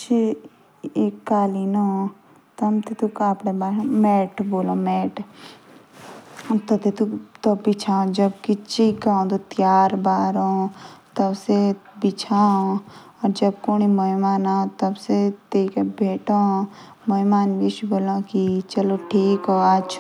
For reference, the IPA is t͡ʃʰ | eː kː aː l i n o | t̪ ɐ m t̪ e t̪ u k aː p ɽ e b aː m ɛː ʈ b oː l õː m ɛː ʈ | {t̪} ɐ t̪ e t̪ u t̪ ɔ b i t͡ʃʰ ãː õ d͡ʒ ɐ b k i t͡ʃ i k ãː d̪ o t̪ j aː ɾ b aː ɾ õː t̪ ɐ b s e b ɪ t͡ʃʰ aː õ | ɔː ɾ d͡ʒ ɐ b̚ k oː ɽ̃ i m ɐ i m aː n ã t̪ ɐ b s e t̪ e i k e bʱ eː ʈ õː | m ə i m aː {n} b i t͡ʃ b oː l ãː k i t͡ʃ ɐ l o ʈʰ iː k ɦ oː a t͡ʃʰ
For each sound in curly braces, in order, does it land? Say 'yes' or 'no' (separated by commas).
yes, yes